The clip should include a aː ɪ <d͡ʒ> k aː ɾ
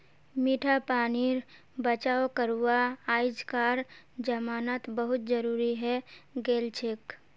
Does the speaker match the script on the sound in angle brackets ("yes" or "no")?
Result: yes